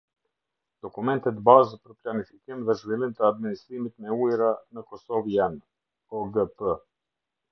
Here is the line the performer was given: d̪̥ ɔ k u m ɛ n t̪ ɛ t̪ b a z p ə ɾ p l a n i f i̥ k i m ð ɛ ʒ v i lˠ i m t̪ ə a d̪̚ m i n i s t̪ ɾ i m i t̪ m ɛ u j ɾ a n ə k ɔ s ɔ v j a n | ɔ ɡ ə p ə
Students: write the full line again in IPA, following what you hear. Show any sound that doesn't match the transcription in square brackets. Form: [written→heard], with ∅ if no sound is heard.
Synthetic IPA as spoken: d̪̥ ɔ k u m ɛ n t̪ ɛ t̪ b a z p ə ɾ p l a n i f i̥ k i m ð ɛ ʒ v i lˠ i m t̪ ə a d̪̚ m i n i s t̪ ɾ i m i t̪ m ɛ u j ɾ a n ə k ɔ s ɔ v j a n | ɔ ɡ ə p ə